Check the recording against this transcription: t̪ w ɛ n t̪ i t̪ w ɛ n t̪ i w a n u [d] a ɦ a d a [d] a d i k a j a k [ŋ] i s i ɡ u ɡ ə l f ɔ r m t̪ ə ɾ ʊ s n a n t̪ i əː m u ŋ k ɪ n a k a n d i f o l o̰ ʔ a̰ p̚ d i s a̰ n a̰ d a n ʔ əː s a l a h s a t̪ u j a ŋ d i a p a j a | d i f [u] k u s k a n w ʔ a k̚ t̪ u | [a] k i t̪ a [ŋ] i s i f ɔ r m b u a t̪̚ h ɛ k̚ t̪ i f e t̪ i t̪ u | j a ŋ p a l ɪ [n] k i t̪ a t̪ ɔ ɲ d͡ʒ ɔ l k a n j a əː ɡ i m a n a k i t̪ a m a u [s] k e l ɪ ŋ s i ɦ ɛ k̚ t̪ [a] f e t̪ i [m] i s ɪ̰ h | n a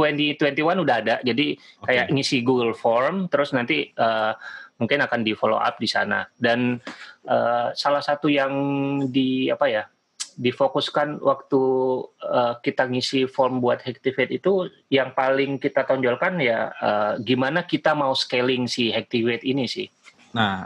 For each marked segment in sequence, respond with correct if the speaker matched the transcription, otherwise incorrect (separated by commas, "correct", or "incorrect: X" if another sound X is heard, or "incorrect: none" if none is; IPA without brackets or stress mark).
correct, incorrect: d͡ʒ, correct, incorrect: o, incorrect: ə, correct, incorrect: ŋ, correct, incorrect: i, incorrect: n